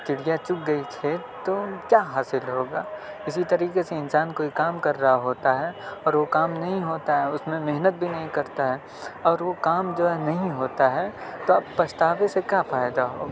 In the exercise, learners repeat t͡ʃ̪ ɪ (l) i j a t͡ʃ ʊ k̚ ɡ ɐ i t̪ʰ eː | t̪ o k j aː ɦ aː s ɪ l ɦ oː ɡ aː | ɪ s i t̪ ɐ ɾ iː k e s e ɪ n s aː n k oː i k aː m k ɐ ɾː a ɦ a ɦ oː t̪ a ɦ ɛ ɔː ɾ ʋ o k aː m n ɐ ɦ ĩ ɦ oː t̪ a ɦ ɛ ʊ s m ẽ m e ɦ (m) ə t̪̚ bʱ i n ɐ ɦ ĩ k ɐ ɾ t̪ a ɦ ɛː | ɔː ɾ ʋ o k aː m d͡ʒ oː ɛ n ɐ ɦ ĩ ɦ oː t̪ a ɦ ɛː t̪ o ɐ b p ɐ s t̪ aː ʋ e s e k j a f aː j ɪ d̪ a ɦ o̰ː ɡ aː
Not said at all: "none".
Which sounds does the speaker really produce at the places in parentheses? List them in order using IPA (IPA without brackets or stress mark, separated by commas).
ɽ, n